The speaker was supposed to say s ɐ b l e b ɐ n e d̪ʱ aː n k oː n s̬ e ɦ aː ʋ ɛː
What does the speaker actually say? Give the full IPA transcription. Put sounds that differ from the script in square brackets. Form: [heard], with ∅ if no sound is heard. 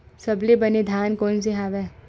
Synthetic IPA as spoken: s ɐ b l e b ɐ n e d̪ʱ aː n k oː n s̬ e ɦ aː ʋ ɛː